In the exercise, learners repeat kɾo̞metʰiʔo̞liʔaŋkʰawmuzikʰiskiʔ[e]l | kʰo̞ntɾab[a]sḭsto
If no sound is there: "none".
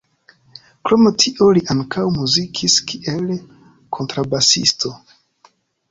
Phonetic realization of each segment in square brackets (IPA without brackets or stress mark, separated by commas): e, a